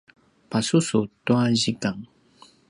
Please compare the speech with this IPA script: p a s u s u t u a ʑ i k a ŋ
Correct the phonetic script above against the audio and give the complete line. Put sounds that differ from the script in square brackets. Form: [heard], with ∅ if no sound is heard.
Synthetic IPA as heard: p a s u s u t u a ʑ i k a ŋ